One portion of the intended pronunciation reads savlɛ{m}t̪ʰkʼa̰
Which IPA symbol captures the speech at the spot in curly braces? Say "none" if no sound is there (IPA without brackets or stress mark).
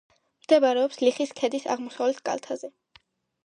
none